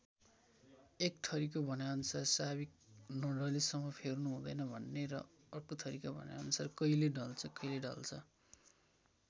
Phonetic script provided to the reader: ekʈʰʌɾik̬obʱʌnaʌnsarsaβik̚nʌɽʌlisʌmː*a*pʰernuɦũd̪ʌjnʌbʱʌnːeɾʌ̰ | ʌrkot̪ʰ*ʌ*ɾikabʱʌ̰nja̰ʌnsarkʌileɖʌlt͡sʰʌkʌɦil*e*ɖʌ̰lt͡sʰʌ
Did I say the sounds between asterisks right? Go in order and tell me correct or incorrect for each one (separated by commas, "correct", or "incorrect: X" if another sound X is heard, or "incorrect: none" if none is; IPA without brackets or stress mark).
incorrect: ʌ, correct, correct